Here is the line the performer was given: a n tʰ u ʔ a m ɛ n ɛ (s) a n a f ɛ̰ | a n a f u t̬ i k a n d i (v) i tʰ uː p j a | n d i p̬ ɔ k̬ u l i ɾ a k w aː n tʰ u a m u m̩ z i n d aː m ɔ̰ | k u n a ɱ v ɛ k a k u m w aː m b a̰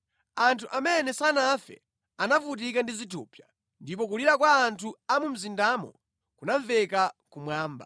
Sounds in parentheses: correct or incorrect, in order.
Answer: correct, incorrect

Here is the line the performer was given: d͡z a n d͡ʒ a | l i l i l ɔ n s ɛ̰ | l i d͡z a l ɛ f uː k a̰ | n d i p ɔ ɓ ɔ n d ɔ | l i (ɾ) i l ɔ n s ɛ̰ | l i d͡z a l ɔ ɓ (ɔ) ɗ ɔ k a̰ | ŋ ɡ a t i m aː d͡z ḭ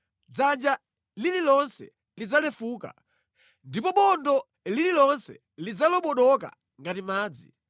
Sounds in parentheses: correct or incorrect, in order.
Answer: incorrect, correct

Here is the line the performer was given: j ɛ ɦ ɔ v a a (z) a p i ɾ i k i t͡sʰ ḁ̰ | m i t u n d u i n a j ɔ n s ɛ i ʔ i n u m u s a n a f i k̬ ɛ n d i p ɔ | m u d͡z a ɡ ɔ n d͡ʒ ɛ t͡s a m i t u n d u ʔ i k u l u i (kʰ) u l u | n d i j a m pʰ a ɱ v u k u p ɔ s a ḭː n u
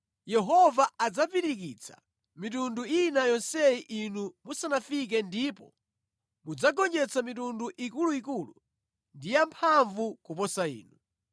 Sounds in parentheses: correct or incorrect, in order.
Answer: incorrect, incorrect

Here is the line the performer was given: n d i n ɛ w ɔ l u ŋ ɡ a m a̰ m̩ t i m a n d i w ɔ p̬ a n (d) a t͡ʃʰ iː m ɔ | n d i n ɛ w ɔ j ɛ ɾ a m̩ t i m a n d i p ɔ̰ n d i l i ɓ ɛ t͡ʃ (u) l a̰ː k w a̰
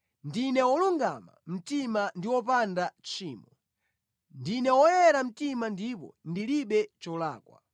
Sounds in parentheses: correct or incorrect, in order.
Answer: correct, incorrect

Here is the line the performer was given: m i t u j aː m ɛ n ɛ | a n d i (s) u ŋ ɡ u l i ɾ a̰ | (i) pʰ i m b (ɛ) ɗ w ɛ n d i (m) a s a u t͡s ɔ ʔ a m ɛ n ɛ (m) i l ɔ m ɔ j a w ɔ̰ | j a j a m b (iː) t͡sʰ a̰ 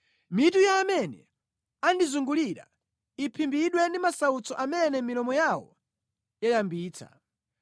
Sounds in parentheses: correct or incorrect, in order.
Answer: incorrect, correct, incorrect, correct, correct, correct

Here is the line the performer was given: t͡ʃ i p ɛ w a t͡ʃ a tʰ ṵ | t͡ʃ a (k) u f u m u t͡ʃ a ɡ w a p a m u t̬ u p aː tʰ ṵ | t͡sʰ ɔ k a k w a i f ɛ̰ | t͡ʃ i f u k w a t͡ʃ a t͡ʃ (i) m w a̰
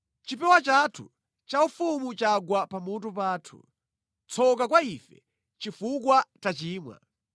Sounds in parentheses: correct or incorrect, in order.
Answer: incorrect, incorrect

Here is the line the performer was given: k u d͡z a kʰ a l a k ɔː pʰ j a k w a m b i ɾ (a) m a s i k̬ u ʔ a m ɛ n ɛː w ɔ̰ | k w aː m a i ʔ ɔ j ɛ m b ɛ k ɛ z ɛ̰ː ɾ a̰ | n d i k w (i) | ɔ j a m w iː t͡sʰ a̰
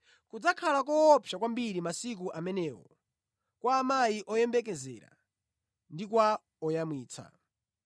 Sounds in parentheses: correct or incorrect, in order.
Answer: incorrect, incorrect

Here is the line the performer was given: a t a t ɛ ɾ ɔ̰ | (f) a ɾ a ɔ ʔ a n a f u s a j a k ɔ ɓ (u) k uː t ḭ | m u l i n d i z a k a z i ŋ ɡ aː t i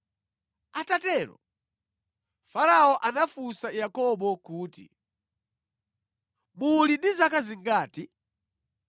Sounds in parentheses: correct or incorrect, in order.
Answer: correct, incorrect

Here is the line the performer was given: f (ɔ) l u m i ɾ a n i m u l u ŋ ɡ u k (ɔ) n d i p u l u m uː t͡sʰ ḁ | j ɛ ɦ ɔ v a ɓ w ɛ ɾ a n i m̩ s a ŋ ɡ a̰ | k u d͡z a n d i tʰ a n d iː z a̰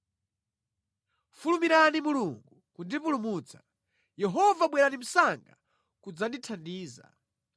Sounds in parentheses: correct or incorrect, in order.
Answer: incorrect, incorrect

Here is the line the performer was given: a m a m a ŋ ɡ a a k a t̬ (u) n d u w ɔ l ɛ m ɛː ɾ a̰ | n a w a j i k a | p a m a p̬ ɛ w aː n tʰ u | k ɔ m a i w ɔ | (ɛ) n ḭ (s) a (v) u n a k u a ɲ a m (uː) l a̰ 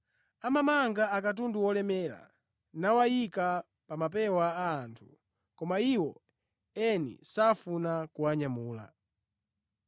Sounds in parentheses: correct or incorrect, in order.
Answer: correct, correct, correct, incorrect, correct

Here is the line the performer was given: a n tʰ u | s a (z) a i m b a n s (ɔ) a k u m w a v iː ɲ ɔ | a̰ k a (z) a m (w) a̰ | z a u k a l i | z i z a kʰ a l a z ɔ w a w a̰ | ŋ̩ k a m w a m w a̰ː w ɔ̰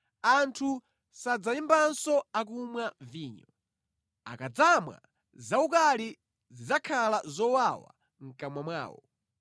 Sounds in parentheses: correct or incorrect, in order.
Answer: incorrect, correct, incorrect, correct

